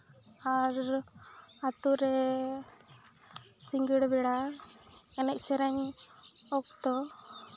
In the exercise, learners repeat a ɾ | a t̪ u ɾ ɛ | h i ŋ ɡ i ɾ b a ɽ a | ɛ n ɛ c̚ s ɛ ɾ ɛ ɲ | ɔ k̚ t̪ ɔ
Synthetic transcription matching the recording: a ɾ | a t̪ u ɾ ɛ | s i ŋ ɡ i ɽ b ɛ ɽ a | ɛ n ɛ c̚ s ɛ ɾ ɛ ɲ | ɔ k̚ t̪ ɔ